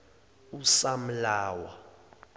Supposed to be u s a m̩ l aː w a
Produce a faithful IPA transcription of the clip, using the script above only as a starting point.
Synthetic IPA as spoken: u s a m̩ l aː w a